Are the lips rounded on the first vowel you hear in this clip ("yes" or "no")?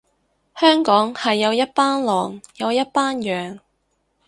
yes